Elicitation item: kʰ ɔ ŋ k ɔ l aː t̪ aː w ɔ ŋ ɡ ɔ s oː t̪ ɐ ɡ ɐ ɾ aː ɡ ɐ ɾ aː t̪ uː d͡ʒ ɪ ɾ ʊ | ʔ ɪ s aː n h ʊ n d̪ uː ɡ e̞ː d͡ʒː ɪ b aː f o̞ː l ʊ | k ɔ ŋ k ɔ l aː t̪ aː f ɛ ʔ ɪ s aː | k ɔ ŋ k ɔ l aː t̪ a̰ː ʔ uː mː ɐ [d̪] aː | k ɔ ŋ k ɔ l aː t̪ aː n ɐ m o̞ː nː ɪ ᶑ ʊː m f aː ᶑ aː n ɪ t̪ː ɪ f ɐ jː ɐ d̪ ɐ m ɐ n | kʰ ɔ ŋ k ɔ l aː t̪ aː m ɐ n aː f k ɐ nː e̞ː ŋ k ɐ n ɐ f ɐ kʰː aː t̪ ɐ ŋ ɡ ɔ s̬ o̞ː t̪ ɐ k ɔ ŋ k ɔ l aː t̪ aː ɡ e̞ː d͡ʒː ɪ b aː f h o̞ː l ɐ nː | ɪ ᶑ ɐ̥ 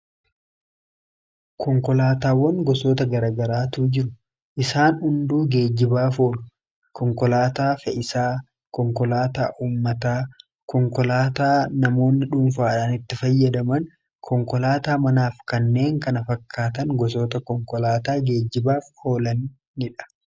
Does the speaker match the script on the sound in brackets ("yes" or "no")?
no